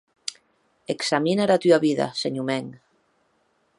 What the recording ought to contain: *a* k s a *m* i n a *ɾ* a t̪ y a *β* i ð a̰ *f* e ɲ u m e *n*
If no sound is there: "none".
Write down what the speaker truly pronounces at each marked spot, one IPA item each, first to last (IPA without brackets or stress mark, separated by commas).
e, m, ɾ, β, s, ŋ